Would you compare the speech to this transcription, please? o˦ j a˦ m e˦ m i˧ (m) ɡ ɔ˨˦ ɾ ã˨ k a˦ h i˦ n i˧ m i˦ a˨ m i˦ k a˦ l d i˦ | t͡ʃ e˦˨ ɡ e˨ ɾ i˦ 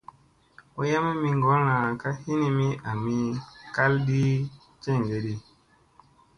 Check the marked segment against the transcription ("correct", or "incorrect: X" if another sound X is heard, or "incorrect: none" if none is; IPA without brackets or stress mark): incorrect: ŋ